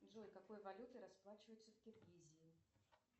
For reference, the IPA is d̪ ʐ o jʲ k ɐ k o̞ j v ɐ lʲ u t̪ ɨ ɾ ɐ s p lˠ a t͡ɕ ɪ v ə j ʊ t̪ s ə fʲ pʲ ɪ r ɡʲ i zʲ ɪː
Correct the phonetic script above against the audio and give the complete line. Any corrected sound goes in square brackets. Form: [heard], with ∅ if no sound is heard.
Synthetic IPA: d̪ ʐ o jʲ k ɐ k o̞ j v ɐ lʲ u t̪ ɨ ɾ ɐ s p lˠ a t͡ɕ ɪ v ə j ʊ t̪ s ə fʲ [kʲ] ɪ r ɡʲ i zʲ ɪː